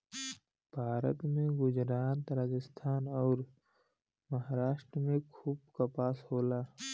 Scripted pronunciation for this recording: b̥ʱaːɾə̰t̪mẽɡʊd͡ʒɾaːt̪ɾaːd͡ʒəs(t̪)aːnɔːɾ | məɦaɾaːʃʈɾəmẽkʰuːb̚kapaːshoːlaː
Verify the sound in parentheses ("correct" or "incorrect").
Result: incorrect